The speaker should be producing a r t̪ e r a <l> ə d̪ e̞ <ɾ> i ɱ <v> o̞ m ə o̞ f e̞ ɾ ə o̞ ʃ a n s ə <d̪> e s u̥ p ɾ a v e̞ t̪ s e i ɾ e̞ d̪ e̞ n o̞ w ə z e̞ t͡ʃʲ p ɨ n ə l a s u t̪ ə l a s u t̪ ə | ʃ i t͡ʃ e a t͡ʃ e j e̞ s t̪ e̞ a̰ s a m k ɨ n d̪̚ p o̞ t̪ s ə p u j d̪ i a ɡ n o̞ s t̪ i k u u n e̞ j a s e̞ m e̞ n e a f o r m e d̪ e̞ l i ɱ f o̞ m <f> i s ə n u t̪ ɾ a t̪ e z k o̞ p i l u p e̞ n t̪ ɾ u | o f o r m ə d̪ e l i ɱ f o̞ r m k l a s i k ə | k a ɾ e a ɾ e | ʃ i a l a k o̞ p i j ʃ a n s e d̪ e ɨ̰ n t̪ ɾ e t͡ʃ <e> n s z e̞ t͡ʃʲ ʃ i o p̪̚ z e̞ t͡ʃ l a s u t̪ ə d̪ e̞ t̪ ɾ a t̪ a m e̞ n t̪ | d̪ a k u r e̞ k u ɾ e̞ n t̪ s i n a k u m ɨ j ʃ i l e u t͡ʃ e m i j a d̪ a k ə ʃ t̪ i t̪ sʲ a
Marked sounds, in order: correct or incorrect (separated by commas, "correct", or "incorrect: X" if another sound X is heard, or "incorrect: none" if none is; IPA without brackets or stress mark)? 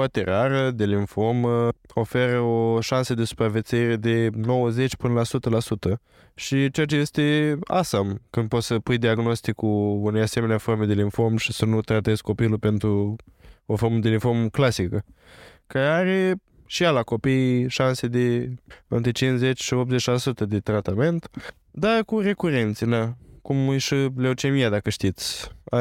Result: incorrect: ɾ, incorrect: l, incorrect: f, correct, incorrect: ʃ, incorrect: i